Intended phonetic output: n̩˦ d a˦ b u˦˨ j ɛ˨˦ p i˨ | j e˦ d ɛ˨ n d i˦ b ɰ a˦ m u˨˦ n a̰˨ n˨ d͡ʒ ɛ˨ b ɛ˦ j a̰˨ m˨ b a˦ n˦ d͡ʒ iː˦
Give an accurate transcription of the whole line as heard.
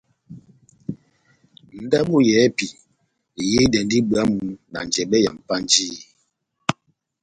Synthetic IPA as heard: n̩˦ d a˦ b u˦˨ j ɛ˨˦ p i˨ | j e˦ d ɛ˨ n d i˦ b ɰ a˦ m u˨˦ n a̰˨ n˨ d͡ʒ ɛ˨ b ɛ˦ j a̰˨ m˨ p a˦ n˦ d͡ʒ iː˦